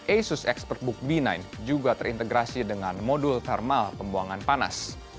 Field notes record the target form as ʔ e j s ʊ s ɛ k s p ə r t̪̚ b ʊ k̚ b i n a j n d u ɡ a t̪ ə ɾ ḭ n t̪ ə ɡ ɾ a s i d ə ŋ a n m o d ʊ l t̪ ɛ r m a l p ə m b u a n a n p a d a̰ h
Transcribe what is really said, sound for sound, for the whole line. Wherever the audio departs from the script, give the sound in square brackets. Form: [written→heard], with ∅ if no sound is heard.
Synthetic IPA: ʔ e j s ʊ s ɛ k s p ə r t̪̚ b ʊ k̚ b i n a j n [d→d͡ʒ] u ɡ a t̪ ə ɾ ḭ n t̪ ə ɡ ɾ a s i d ə ŋ a n m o d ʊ l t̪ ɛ r m a l p ə m b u a [n→ŋ] a n p a [d→n] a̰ [h→s]